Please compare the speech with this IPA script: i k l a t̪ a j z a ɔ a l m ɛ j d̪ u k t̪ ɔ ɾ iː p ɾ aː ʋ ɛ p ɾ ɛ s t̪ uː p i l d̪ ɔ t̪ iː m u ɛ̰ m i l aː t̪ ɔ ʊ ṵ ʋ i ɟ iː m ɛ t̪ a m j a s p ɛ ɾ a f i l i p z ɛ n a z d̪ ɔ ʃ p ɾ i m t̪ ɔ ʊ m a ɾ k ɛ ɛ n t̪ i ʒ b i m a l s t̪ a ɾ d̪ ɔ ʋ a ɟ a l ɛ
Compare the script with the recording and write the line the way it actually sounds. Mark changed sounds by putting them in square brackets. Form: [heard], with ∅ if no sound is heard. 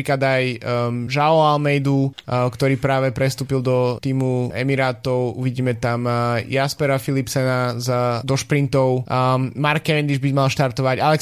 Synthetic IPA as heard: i k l a [d̪] a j [ʒ] a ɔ a l m ɛ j d̪ u k t̪ ɔ ɾ iː p ɾ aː ʋ ɛ p ɾ ɛ s t̪ uː p i l d̪ ɔ t̪ iː m u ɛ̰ m i [ɾ] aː t̪ ɔ ʊ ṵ ʋ i ɟ iː m ɛ t̪ a m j a s p ɛ ɾ a f i l i p [s] ɛ n a z d̪ ɔ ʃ p ɾ i [n] t̪ ɔ ʊ m a ɾ k ɛ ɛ n [d̪] i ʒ b i m a l [ʃ] t̪ a ɾ [t̪] ɔ ʋ a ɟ a l ɛ